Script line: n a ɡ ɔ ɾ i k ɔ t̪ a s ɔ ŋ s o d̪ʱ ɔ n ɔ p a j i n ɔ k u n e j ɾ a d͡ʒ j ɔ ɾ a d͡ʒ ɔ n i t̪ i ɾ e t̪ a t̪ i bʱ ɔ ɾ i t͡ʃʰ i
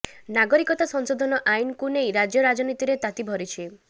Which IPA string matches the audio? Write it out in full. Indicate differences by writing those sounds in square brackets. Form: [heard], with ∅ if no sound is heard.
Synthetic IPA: n a ɡ ɔ ɾ i k ɔ t̪ a s ɔ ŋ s o d̪ʱ ɔ n ɔ [ʔ] a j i n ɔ k u n e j ɾ a d͡ʒ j ɔ ɾ a d͡ʒ ɔ n i t̪ i ɾ e t̪ a t̪ i bʱ ɔ ɾ i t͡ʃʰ i